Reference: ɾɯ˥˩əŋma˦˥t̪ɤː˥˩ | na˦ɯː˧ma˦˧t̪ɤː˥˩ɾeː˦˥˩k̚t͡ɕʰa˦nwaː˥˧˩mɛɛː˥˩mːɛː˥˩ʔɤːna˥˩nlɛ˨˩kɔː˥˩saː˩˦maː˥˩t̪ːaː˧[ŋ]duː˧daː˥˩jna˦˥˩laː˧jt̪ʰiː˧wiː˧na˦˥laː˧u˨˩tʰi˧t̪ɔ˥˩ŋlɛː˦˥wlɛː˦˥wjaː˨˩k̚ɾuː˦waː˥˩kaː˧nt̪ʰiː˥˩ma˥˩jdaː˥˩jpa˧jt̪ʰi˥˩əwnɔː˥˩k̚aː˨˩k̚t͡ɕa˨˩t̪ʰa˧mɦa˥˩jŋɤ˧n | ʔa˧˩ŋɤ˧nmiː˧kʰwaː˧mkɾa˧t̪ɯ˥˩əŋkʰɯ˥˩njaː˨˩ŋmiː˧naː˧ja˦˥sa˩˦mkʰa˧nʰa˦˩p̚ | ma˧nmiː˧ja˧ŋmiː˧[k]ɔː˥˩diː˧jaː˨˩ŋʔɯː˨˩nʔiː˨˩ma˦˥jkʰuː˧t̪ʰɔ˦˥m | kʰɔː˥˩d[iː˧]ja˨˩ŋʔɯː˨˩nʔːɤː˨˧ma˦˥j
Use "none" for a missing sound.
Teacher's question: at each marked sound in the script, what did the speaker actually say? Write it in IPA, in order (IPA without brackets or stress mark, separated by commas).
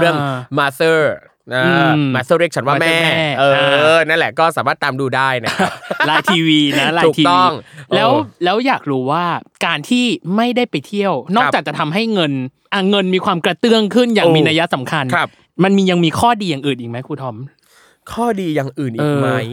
m, kʰ, iː˧